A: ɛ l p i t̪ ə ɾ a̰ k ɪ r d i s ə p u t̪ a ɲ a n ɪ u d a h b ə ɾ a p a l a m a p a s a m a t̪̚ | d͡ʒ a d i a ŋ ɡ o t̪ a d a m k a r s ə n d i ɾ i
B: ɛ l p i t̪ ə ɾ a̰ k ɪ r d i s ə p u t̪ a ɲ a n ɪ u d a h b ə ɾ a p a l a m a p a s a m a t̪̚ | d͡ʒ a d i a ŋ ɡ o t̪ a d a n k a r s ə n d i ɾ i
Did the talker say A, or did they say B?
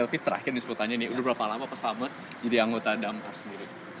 A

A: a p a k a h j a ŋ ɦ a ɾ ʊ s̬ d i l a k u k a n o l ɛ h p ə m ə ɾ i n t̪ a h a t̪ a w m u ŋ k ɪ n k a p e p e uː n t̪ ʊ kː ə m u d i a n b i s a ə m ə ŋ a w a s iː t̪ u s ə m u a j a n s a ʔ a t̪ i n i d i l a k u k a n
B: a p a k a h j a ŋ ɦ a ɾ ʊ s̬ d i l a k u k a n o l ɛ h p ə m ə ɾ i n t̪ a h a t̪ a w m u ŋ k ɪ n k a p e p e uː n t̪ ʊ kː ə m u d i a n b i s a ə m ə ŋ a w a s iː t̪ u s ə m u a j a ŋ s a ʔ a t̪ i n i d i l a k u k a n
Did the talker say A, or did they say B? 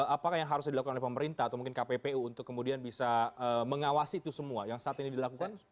B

